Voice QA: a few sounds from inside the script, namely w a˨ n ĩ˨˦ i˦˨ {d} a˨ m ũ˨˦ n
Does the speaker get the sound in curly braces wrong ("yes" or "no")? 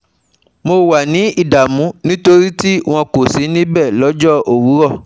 no